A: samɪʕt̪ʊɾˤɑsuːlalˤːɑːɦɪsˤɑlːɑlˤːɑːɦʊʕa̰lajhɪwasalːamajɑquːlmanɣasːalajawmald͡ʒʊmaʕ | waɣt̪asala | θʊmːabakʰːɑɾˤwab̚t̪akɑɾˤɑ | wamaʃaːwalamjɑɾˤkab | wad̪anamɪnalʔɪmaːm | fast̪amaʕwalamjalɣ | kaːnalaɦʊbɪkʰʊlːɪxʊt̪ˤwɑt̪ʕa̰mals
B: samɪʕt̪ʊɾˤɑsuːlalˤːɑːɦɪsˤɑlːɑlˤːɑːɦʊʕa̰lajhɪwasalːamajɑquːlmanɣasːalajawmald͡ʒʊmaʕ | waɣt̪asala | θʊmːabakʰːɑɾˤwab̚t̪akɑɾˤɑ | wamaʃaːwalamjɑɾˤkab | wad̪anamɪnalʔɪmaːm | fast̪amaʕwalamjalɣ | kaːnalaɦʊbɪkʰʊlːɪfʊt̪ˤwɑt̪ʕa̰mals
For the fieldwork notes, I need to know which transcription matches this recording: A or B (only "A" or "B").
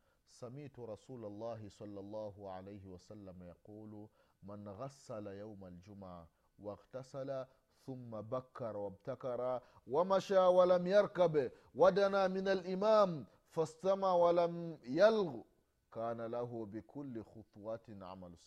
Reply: A